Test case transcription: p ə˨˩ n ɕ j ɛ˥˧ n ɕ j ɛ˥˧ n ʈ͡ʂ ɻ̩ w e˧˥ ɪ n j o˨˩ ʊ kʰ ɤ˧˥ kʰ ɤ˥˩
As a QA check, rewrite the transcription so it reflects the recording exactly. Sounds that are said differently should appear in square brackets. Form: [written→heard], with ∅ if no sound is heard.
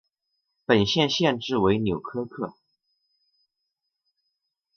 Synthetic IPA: p ə˨˩ n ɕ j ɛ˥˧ n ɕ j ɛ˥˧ n ʈ͡ʂ ɻ̩ w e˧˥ ɪ n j o˨˩ ʊ kʰ [ɤ˧˥→ɤ˥] kʰ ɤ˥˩